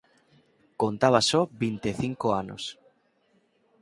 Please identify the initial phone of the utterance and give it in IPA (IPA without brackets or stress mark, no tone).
k